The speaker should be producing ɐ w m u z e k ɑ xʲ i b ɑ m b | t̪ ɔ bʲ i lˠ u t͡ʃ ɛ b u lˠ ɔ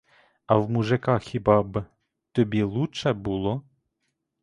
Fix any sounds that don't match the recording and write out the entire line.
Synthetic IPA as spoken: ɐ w m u ʒ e k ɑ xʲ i b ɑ b | t̪ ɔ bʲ i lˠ u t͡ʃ ɛ b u lˠ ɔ